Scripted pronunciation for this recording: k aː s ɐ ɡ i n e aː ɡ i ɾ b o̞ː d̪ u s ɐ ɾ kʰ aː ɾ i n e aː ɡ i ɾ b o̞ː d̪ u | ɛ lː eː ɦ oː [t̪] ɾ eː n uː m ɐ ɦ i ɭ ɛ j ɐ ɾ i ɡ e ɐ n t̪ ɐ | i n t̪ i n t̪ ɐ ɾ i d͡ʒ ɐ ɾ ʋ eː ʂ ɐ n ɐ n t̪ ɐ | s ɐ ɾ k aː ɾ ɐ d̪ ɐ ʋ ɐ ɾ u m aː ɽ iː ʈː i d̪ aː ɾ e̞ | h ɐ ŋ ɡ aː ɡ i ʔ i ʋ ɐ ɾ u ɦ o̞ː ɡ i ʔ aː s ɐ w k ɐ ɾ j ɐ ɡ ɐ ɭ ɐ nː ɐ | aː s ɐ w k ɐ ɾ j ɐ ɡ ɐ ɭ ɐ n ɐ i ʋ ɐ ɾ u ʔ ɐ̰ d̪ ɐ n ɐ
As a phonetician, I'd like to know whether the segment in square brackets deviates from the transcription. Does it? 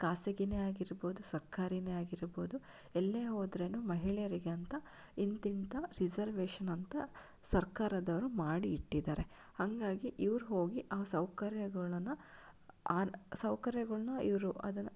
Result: yes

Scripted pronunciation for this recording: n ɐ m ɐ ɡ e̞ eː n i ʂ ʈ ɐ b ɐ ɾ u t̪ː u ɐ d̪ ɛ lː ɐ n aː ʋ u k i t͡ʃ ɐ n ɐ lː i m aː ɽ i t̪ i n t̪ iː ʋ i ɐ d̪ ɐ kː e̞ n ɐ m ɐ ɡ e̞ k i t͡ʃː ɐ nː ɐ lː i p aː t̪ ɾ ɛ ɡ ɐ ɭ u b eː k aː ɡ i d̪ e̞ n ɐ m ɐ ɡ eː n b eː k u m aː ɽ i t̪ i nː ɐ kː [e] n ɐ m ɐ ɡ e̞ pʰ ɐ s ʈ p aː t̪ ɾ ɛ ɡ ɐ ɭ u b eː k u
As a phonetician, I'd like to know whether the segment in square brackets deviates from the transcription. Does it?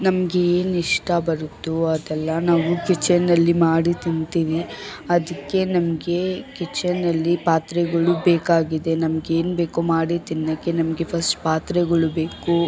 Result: no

